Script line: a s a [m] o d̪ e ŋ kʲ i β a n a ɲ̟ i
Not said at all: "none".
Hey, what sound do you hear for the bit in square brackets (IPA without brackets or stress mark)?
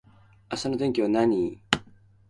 n